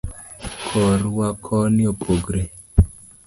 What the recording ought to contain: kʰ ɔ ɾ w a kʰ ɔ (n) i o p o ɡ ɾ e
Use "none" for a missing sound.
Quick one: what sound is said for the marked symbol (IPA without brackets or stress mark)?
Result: n